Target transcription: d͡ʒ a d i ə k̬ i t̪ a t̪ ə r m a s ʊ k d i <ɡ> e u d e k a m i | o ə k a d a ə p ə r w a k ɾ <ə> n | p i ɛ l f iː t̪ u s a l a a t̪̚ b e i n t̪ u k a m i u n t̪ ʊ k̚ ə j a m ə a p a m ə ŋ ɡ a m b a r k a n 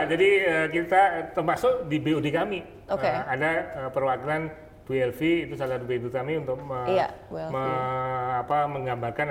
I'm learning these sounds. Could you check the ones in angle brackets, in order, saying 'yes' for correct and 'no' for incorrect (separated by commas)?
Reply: no, no